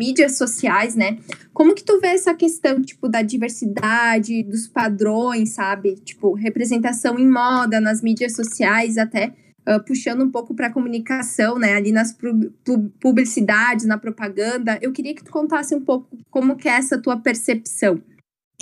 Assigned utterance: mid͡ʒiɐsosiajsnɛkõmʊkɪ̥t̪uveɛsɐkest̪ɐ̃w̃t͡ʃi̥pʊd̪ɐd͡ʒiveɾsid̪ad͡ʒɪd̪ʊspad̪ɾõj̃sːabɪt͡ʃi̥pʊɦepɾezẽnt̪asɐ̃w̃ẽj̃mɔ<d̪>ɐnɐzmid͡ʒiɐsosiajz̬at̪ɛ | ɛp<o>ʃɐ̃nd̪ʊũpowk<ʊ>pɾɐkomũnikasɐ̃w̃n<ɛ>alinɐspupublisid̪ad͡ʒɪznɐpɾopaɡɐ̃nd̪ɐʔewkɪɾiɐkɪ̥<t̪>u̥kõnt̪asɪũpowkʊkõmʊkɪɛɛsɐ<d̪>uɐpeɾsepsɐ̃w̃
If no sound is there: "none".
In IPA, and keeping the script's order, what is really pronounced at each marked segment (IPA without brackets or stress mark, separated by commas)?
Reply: d̪, u, ʊ, ɛ, t̪, t̪